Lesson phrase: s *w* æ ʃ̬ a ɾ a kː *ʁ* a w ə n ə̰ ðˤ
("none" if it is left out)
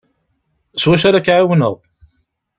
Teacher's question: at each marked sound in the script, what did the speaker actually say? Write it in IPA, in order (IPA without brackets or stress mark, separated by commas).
w, ʕ